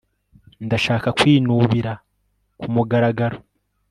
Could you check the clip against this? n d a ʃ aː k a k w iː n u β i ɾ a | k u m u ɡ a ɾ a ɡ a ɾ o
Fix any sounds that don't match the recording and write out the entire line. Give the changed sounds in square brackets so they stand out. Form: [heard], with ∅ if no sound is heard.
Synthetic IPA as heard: n d a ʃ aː k a k w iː n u β i ɾ a | k u m u ɡ a ɾ a ɡ a ɾ o